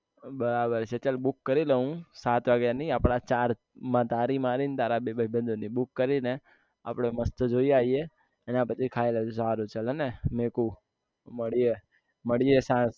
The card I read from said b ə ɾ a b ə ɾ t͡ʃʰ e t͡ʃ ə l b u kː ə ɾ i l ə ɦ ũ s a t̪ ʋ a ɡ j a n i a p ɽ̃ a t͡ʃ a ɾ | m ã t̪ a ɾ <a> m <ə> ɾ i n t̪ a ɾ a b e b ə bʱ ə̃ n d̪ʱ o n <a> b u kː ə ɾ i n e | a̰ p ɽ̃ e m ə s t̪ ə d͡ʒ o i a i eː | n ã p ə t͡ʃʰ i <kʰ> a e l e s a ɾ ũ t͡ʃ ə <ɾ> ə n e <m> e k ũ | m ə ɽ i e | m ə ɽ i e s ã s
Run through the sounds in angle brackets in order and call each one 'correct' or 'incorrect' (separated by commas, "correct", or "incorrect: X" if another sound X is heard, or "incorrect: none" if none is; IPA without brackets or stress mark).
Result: incorrect: i, incorrect: a, incorrect: i, correct, incorrect: l, correct